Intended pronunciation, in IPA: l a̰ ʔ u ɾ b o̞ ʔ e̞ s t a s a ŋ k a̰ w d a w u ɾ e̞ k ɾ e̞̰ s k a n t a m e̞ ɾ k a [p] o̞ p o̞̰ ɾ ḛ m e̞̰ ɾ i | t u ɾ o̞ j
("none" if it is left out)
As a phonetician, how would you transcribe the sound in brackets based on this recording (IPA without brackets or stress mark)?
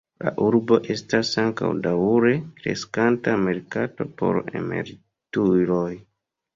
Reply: t